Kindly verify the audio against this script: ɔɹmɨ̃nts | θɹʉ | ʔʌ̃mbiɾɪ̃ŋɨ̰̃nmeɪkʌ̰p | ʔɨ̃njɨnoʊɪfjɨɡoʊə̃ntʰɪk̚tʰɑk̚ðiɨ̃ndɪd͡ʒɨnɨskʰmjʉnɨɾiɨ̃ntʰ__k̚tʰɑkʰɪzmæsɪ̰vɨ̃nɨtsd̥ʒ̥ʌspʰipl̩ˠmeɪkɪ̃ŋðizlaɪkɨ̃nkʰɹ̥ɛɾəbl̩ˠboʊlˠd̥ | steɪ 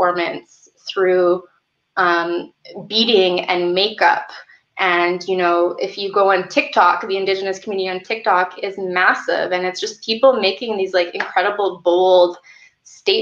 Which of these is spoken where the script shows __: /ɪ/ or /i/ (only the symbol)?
ɪ